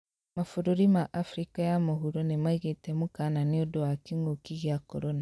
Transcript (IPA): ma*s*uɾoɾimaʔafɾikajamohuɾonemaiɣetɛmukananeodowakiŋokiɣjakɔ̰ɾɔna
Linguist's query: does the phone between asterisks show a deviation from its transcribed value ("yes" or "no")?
yes